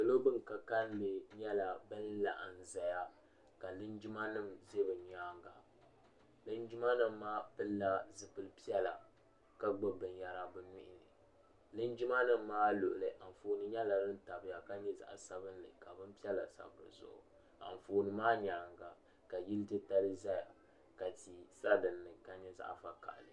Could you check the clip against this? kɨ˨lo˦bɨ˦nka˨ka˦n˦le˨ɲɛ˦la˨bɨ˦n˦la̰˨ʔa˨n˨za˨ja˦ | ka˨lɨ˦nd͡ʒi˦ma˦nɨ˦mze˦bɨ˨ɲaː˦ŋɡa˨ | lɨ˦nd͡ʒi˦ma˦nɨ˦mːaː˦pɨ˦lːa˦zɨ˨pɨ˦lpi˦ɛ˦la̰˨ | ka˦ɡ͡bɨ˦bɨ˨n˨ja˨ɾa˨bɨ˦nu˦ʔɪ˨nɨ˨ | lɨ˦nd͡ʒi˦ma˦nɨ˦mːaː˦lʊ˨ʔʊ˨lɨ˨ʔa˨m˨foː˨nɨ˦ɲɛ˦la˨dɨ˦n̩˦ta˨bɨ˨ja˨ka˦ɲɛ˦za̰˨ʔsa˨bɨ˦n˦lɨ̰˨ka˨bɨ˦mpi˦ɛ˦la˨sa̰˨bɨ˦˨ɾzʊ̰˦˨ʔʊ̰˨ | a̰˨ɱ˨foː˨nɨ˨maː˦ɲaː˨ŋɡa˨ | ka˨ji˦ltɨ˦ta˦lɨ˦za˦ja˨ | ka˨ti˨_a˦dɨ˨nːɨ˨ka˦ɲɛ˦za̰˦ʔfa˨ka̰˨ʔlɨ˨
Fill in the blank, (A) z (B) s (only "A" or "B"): B